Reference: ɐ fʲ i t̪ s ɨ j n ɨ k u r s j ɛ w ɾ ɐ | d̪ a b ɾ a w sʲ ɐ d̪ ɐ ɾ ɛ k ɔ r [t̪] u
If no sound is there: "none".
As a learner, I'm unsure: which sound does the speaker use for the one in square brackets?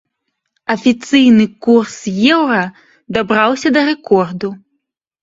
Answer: d̪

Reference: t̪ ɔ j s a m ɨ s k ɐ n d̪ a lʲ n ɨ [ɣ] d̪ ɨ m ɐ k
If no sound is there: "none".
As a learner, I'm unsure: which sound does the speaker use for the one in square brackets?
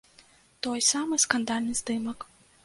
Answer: z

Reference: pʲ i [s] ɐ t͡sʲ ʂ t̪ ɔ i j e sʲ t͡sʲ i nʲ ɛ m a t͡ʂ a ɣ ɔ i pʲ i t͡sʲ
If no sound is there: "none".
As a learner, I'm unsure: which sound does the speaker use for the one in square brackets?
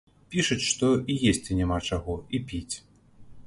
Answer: ʂ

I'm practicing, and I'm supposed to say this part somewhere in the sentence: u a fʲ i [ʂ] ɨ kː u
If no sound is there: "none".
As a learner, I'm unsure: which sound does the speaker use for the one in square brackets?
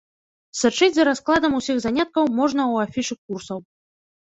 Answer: ʂ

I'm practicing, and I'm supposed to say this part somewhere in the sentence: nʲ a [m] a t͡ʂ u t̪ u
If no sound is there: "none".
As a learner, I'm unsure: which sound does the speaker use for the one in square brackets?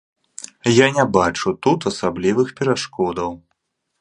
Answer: b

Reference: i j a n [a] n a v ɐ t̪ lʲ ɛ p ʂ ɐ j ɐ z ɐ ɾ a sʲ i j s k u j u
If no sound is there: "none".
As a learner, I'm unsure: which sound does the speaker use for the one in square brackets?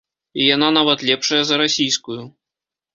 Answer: a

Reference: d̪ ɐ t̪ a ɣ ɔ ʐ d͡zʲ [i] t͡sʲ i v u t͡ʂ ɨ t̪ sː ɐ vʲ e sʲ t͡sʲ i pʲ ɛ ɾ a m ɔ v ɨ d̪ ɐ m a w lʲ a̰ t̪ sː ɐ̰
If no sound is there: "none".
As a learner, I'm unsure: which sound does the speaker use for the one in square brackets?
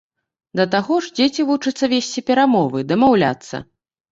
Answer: e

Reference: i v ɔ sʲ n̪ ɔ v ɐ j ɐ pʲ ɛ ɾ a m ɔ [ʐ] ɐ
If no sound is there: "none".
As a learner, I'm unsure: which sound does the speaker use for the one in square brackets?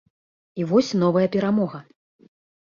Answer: ɣ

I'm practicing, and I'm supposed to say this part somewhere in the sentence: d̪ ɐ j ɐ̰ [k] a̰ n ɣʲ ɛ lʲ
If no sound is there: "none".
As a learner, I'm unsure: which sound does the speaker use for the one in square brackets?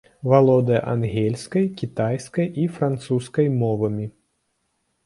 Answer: ʔ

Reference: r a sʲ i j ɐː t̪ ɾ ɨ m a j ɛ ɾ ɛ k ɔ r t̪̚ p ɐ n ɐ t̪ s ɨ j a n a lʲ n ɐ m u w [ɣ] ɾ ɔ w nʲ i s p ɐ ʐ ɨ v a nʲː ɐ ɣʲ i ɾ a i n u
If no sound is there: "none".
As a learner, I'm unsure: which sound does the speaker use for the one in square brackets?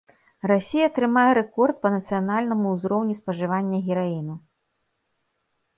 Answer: z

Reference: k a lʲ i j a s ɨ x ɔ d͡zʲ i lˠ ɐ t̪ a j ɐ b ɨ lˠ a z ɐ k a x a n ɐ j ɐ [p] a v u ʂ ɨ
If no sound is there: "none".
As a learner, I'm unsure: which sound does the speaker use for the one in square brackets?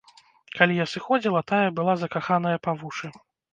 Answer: p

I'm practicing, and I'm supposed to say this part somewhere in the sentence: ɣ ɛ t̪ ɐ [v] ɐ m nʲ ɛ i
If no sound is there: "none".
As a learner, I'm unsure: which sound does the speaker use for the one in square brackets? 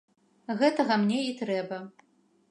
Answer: ɣ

